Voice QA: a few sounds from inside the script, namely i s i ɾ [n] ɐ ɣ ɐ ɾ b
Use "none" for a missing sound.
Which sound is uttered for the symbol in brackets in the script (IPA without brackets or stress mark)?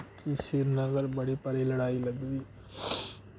n